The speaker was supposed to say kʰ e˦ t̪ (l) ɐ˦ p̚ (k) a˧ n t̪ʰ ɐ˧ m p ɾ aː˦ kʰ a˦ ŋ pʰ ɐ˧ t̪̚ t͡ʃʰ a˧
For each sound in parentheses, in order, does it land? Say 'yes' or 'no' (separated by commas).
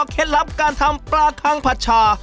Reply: yes, yes